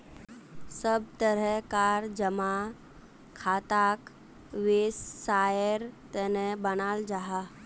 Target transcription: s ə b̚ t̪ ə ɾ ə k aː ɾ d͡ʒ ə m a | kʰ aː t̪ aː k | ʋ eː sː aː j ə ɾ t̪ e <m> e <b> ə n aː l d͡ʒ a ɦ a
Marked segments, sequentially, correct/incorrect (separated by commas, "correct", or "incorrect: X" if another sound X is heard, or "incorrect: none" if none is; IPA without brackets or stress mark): incorrect: n, correct